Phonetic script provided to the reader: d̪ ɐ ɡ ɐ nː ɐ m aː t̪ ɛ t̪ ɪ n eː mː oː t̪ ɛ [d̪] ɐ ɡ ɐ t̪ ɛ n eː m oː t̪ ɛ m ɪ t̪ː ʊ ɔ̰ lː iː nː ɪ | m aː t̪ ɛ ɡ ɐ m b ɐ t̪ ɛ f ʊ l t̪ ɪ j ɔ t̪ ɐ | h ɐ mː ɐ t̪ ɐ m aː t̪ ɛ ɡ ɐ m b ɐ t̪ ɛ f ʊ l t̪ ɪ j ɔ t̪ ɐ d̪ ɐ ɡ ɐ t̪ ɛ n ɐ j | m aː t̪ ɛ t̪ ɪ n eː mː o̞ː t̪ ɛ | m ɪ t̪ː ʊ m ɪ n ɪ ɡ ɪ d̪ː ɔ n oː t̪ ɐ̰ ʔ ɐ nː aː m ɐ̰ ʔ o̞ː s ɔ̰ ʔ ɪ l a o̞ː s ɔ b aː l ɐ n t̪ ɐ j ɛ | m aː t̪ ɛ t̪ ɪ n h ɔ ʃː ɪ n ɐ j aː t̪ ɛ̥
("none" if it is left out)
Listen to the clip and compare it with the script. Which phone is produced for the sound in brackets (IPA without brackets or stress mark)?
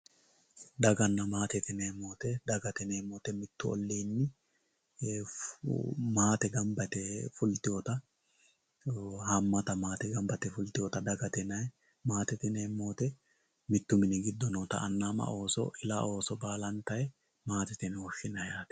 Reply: d̪